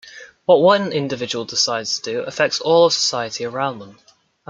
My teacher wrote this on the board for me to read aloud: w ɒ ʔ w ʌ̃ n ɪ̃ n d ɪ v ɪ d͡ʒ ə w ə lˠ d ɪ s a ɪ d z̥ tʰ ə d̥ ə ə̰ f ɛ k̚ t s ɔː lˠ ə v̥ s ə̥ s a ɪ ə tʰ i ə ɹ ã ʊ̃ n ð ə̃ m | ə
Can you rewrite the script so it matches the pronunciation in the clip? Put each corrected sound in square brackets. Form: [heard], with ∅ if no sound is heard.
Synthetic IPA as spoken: w ɒ ʔ w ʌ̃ n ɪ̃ n d ɪ v ɪ d͡ʒ ə w ə lˠ d ɪ s a ɪ d z̥ tʰ ə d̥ ə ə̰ f ɛ k̚ t s ɔː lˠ ə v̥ s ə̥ s a ɪ ə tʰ i ə ɹ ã ʊ̃ n ð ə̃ m | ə